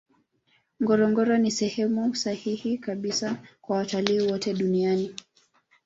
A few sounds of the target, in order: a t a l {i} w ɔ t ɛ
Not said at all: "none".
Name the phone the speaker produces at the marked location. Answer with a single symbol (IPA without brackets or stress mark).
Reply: iː